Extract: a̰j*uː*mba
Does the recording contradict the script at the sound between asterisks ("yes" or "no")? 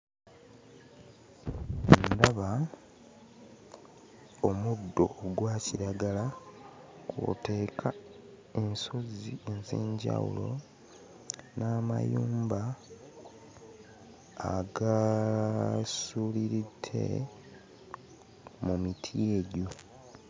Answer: no